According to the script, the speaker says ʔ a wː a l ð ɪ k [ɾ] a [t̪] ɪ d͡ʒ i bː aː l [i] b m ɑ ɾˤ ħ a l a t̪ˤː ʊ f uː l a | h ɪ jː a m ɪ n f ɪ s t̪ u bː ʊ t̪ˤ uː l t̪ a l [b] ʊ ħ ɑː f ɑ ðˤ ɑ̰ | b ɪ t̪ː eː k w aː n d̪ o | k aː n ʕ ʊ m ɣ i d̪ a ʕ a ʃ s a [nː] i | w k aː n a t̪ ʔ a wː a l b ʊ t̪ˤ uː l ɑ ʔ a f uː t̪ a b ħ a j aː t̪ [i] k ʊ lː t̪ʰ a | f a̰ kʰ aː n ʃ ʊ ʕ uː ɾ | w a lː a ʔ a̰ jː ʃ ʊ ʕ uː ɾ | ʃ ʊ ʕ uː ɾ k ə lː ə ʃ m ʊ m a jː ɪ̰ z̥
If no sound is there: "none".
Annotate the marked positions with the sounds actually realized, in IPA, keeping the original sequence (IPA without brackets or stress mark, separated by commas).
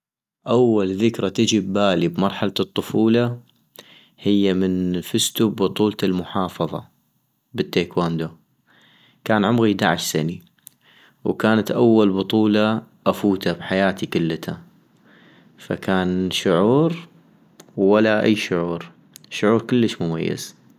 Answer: ɾ, t̪, i, m, n, i